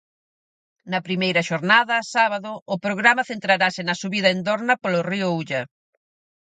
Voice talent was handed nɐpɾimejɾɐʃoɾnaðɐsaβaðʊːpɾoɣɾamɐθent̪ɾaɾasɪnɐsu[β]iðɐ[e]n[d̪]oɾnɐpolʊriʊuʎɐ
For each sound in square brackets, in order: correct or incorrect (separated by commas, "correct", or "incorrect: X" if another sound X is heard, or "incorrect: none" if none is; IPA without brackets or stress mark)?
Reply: correct, correct, correct